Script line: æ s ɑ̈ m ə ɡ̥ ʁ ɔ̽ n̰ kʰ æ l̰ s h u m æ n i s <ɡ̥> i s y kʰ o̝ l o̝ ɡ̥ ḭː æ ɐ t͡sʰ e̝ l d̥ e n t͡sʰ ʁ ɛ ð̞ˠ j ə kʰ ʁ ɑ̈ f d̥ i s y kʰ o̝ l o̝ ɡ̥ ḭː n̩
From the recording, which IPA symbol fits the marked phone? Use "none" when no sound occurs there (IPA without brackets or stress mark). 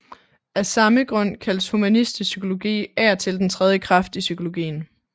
d̥